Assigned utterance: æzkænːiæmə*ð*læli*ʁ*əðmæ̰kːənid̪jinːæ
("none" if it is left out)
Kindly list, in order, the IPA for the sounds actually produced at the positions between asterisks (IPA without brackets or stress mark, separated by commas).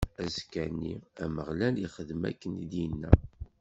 ʁ, χ